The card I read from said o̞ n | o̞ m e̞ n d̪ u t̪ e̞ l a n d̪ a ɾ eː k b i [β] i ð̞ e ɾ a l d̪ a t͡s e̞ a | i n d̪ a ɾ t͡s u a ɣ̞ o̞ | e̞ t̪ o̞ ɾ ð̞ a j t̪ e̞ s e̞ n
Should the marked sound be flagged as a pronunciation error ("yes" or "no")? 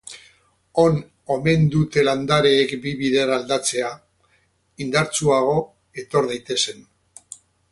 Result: no